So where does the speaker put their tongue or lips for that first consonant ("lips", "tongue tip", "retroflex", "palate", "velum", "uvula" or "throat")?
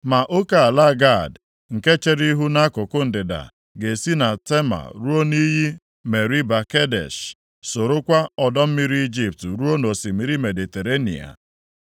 lips